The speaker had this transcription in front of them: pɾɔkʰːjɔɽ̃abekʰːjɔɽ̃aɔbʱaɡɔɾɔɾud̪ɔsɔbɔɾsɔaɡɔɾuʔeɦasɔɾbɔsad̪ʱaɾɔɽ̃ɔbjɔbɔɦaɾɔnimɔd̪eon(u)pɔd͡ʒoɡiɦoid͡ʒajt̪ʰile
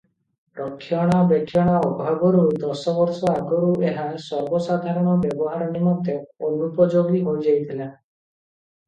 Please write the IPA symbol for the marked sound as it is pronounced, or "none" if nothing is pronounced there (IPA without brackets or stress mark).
u